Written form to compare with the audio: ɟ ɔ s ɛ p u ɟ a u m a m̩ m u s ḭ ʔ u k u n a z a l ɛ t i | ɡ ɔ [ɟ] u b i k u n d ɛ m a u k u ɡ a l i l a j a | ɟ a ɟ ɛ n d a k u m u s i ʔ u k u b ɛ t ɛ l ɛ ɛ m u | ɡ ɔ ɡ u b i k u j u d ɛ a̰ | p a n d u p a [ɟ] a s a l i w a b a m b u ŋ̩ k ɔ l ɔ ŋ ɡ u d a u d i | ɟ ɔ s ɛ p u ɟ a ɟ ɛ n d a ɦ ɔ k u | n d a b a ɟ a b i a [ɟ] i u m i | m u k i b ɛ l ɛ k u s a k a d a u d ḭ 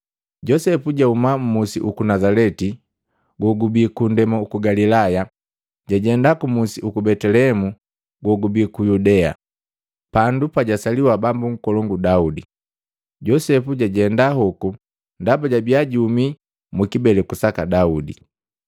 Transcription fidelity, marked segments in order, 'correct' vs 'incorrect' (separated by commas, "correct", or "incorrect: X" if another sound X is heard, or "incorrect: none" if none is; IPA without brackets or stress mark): incorrect: ɡ, correct, correct